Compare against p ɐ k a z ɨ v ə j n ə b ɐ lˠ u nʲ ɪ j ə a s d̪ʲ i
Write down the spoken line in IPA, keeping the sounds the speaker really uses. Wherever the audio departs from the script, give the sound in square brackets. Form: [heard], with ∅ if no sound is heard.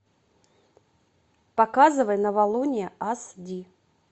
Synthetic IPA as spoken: p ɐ k a z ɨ v ə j n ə [v] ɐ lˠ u nʲ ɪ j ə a s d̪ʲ i